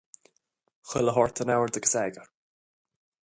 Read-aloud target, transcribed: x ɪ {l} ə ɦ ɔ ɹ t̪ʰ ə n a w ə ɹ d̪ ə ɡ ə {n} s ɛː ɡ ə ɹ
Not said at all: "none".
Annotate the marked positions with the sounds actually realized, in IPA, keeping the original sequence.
l, none

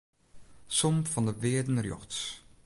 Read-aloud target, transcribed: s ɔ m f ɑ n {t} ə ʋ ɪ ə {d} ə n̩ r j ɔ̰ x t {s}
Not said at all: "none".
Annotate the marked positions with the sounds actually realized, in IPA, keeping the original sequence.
d, d, s

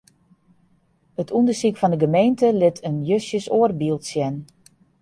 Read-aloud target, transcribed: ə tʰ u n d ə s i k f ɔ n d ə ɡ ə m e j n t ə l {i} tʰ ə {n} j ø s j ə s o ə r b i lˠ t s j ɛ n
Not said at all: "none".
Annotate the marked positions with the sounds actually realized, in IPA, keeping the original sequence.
ɪ, n

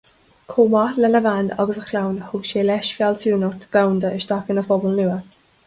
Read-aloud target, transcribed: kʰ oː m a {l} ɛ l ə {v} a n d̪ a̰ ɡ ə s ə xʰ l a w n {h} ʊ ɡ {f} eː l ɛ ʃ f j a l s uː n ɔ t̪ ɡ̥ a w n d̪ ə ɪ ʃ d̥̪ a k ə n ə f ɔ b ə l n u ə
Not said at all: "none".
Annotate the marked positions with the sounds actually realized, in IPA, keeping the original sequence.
l, v, h, ʃ

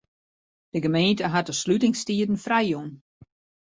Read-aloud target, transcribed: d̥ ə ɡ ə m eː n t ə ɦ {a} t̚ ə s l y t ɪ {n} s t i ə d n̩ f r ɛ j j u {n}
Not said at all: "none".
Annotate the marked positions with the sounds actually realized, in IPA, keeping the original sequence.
a, ŋ, n

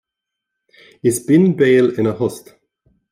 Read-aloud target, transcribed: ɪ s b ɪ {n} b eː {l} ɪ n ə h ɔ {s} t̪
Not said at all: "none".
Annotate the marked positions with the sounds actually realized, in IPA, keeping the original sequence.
n, l, s

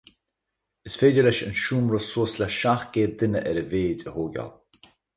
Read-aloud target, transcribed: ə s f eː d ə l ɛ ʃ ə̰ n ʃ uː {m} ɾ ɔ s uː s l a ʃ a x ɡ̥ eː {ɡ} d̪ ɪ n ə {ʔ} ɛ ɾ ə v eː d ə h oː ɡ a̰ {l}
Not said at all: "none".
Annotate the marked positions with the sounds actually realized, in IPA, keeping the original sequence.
m, none, ʔ, l

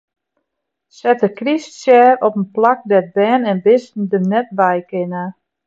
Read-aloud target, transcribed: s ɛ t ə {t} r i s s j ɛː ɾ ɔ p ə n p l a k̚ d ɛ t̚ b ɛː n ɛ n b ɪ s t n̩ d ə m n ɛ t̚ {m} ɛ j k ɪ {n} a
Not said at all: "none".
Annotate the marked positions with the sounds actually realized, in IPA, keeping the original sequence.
k, b, n

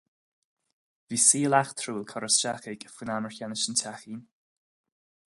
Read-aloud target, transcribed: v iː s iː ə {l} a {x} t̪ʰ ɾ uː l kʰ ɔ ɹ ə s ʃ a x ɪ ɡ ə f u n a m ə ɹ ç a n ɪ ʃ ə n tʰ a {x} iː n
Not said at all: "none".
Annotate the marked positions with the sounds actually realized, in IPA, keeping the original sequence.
l, x, x

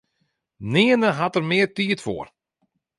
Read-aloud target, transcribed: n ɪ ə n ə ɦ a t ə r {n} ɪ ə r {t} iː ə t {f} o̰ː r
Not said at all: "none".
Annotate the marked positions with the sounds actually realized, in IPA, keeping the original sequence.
m, t, f

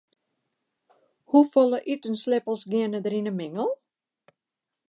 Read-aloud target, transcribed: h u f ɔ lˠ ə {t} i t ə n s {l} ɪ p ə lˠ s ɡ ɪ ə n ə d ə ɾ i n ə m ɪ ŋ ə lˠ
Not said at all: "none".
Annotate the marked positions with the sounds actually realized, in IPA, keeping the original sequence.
ʔ, l

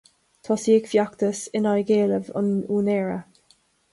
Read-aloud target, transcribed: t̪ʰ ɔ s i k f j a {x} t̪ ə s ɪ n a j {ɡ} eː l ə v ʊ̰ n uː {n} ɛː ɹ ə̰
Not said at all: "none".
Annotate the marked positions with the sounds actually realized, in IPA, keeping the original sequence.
k, ɡ, n

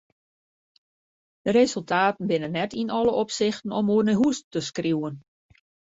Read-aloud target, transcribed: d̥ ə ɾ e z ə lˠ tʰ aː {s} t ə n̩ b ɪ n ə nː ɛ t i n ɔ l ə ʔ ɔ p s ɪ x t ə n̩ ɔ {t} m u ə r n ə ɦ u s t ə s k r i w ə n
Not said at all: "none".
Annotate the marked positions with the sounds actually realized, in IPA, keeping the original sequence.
none, none

